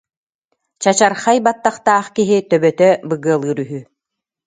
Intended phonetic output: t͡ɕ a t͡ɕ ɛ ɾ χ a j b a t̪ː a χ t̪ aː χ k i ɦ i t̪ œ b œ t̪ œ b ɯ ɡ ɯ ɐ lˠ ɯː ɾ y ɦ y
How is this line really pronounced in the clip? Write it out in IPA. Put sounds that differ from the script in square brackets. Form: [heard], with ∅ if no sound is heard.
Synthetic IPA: t͡ɕ a t͡ɕ [a] ɾ χ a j b a t̪ː a χ t̪ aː χ k i ɦ i t̪ œ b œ t̪ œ b ɯ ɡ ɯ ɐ lˠ ɯː ɾ y ɦ y